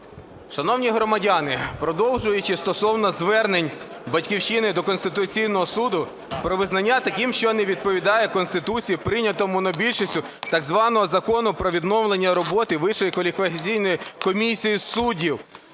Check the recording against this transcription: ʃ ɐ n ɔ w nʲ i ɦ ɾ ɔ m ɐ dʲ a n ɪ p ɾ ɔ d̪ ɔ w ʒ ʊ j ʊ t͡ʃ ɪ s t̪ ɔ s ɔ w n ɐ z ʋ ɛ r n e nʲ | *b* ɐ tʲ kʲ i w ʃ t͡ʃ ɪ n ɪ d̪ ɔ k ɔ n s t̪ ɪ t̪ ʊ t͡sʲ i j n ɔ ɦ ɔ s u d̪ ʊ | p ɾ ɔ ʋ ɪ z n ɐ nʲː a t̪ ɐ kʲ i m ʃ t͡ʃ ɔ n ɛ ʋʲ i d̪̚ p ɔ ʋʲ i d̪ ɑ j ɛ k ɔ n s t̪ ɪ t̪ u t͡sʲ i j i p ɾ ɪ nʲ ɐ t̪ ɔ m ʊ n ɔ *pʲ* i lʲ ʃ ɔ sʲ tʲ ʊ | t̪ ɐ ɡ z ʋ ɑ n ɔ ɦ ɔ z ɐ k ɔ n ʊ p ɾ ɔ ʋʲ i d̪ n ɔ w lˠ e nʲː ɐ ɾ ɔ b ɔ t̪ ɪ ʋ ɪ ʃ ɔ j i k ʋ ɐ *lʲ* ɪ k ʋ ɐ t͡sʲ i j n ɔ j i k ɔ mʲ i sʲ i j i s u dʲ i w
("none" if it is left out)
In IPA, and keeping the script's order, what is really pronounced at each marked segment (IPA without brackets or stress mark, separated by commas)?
b, bʲ, lʲ